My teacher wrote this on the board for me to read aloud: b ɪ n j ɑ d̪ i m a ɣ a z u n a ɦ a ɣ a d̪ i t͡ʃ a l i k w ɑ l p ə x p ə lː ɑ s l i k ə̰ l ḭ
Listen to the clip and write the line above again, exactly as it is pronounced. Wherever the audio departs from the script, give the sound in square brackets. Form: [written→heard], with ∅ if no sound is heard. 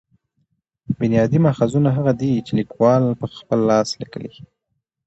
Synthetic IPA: b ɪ n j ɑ d̪ i m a [ɣ→x] a z u n a ɦ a ɣ a d̪ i t͡ʃ [a→e] l i k w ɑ l p ə x p ə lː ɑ s l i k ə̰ l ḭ